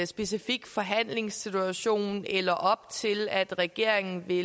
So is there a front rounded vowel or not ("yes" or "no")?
no